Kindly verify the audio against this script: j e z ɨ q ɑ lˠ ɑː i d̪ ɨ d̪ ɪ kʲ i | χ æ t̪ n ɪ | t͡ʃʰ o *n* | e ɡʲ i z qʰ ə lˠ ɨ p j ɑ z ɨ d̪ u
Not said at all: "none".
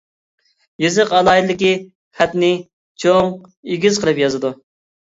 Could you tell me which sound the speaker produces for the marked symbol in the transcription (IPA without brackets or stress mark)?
ŋ